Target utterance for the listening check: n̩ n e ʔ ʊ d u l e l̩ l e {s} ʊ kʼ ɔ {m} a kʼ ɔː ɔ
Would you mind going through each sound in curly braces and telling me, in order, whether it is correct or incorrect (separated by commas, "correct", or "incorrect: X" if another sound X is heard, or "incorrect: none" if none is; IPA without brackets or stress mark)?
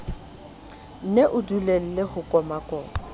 incorrect: h, correct